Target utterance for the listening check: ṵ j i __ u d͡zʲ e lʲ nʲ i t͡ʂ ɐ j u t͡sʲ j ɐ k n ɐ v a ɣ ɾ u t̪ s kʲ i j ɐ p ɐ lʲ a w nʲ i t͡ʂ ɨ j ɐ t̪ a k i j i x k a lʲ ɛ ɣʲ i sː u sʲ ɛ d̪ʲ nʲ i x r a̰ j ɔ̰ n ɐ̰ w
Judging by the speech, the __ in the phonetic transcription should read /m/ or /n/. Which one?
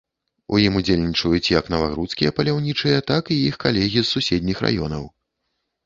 m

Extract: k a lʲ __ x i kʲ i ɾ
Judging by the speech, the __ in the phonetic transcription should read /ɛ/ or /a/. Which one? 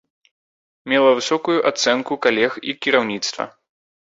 ɛ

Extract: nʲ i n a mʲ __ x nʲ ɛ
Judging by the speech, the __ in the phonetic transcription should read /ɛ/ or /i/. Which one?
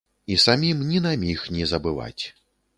i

